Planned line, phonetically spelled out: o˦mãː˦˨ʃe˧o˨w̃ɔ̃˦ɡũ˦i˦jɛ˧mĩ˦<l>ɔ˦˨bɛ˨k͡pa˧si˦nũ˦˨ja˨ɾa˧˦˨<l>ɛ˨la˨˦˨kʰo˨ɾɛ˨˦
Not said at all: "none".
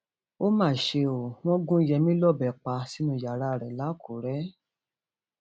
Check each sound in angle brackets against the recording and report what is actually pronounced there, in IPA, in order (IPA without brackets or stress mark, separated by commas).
l, ɾ